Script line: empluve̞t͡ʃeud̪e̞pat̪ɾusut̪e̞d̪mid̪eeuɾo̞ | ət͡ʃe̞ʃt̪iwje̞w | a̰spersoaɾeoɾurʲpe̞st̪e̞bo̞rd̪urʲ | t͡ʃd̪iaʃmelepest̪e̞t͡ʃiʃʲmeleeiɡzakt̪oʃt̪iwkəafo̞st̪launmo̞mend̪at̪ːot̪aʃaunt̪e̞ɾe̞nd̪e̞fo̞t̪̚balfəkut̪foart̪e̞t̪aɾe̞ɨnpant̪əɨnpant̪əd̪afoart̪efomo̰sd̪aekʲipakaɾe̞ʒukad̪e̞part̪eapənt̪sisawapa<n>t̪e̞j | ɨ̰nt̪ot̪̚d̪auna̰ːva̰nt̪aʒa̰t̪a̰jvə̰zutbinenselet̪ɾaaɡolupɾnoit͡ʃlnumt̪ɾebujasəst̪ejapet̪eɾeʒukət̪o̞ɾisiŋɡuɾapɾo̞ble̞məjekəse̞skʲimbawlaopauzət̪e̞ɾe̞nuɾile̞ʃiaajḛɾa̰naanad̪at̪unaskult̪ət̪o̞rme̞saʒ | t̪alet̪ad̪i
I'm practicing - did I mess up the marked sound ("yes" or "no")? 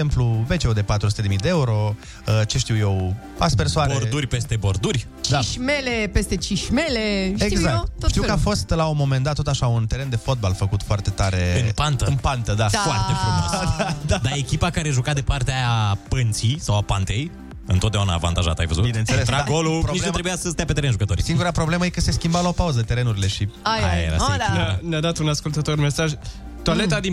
no